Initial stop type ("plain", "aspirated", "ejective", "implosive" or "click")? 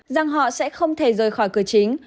aspirated